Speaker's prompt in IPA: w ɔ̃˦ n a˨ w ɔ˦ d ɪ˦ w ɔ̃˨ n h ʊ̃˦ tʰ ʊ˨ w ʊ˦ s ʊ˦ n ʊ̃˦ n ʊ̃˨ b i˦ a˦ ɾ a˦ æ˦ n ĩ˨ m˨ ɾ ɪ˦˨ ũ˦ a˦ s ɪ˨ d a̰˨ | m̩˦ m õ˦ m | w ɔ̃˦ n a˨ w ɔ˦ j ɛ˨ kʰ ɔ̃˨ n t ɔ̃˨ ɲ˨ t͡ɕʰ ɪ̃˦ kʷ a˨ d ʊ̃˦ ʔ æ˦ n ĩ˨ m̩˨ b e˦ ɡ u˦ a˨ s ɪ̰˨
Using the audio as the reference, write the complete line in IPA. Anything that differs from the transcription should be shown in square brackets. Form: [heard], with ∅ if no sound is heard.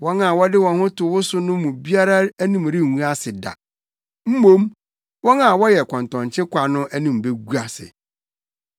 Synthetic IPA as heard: w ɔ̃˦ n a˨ w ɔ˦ d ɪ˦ w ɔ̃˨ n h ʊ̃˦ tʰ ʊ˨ w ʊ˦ s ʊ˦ n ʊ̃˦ [m] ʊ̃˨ b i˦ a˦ ɾ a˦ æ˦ n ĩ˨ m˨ ɾ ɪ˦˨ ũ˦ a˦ s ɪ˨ d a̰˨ | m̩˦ m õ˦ m | w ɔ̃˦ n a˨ w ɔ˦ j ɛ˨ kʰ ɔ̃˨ n t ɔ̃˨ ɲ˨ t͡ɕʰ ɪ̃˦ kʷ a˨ [n] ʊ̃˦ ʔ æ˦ n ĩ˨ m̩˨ b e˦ ɡ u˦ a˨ s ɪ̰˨